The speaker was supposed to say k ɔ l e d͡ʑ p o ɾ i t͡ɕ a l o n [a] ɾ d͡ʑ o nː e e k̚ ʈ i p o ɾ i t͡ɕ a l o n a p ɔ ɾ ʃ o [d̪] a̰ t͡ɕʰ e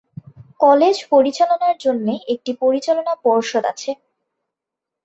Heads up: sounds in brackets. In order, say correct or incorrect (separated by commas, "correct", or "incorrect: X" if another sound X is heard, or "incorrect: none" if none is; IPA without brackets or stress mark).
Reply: correct, correct